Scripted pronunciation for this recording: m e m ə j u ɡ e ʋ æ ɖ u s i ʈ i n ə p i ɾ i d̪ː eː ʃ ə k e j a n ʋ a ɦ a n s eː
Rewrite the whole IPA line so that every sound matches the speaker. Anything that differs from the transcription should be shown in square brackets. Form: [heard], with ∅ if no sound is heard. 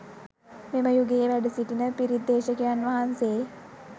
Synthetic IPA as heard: m e m ə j u ɡ e ʋ æ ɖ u s i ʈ i n ə p i ɾ i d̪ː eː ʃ ə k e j a n ʋ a ɦ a n s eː